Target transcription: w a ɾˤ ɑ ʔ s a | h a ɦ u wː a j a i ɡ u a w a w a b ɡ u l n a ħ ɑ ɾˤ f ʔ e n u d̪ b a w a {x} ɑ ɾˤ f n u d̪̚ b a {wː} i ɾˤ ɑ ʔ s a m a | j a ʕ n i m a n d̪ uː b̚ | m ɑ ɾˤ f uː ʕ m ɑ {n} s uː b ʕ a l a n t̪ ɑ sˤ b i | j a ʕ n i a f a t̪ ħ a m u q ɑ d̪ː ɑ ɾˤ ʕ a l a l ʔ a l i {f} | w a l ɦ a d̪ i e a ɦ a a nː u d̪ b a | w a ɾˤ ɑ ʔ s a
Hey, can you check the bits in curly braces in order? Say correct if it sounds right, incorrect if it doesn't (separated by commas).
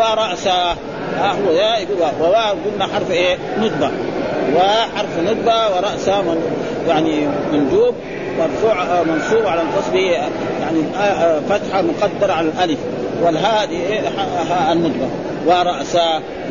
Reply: incorrect, incorrect, correct, correct